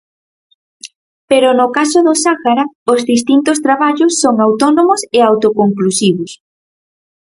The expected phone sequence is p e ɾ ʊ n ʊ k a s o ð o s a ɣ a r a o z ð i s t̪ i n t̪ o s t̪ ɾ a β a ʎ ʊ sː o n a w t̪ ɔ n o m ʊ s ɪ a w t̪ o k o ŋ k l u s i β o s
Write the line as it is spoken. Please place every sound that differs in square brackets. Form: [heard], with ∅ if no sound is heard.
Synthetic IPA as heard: p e ɾ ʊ n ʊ k a s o ð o s a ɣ a [ɾ] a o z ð i s t̪ i n t̪ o s t̪ ɾ a β a ʎ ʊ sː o [ŋ] a w t̪ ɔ n o m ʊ s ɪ a w t̪ o k o ŋ k l u s i β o s